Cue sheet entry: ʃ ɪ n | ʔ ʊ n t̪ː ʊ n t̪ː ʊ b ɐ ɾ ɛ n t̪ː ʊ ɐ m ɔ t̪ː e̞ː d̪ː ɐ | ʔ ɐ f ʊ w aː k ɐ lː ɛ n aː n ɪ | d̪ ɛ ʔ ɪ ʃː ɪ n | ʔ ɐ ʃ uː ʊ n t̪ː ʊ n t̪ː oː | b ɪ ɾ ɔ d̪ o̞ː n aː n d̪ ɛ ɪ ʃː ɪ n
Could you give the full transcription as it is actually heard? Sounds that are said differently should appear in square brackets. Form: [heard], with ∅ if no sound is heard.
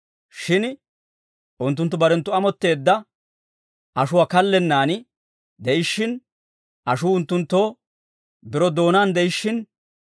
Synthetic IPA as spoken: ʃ ɪ n | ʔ ʊ n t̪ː ʊ n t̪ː ʊ b ɐ ɾ ɛ n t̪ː ʊ ɐ m ɔ t̪ː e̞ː d̪ː ɐ | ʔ ɐ [ʃ] ʊ w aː k ɐ lː ɛ [nː] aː n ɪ | d̪ ɛ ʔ ɪ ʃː ɪ n | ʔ ɐ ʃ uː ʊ n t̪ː ʊ n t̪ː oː | b ɪ ɾ ɔ d̪ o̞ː n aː n d̪ ɛ ɪ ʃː ɪ n